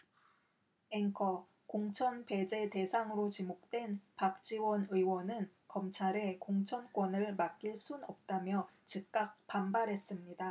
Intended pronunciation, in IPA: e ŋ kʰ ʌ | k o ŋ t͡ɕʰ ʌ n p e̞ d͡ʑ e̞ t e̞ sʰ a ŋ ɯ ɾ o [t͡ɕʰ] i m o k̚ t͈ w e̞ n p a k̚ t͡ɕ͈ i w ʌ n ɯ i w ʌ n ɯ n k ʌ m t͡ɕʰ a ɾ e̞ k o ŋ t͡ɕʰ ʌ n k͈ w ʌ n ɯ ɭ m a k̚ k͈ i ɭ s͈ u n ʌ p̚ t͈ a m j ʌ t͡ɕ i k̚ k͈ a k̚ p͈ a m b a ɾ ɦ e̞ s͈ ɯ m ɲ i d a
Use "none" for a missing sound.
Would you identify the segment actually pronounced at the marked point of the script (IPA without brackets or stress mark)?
t͡ɕ